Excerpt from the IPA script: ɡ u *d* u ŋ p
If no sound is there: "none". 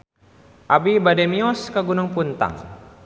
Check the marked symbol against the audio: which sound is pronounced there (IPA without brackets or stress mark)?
n